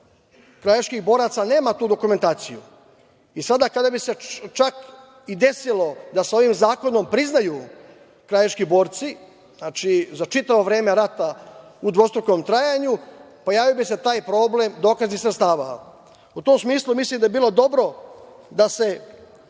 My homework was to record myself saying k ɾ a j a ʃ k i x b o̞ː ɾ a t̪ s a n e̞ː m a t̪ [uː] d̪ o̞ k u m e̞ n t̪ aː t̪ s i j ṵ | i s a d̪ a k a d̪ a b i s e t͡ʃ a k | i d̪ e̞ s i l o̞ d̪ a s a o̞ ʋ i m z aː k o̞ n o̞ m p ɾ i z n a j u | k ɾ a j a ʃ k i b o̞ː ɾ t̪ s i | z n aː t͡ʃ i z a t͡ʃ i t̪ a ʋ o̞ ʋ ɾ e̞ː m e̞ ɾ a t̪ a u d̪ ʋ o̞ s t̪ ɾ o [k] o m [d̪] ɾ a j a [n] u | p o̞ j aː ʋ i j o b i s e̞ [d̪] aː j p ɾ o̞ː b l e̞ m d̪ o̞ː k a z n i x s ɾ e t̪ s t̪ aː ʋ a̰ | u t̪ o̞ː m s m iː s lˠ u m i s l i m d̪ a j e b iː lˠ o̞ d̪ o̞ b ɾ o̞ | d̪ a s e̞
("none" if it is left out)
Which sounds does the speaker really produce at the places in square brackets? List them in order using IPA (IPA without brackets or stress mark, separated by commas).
uː, k, t̪, ɲ, t̪